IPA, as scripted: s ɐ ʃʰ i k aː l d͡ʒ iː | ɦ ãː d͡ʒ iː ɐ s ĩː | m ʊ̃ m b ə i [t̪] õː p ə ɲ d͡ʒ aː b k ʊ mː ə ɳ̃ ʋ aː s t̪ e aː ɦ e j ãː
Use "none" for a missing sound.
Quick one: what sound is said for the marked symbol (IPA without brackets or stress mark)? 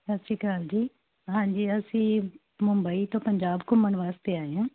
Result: t̪